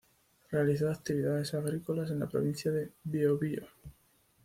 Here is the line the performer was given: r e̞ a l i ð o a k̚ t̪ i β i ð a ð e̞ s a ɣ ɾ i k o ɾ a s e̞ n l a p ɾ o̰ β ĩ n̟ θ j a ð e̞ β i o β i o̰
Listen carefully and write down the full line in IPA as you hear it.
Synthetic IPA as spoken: r e̞ a l i θ o a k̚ t̪ i β i ð a ð e̞ s a ɣ ɾ i k o l a s e̞ n l a p ɾ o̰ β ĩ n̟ θ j a ð e̞ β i o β i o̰